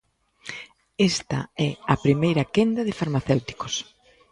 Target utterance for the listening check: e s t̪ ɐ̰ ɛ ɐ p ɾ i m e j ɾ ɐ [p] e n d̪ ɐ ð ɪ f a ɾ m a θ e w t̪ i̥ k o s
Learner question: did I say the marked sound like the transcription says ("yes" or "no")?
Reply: no